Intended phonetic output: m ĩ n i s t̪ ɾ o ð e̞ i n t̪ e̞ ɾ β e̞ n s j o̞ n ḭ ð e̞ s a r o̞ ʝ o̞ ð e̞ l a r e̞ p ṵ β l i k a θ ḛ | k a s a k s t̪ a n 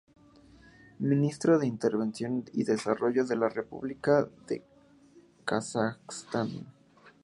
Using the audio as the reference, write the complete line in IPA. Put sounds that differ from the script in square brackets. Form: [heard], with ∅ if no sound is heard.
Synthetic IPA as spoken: m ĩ n i s t̪ ɾ o ð e̞ i n t̪ e̞ ɾ β e̞ n s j o̞ n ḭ ð e̞ s a r o̞ ʝ o̞ ð e̞ l a r e̞ p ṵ β l i k a [ð] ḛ | k a s a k s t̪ a n